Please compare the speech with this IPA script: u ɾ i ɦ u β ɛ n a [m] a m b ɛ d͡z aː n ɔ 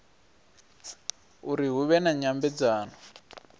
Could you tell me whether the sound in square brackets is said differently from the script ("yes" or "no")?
yes